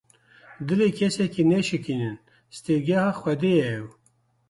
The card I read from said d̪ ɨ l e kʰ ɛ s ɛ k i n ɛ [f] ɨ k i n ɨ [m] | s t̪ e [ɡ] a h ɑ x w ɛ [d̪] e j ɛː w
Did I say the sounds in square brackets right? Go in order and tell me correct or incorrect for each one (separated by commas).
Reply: incorrect, incorrect, correct, correct